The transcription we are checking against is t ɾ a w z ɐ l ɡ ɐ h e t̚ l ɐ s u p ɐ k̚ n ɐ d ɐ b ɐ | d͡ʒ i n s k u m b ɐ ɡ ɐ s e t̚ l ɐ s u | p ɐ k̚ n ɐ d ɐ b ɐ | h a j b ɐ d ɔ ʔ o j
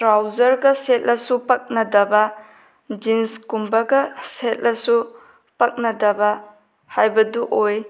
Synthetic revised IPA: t ɾ a w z ɐ ɾ ɡ ɐ s e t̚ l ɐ s u p ɐ k̚ n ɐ d ɐ b ɐ | d͡ʒ i n s k u m b ɐ ɡ ɐ s e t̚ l ɐ s u | p ɐ k̚ n ɐ d ɐ b ɐ | h a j b ɐ d u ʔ o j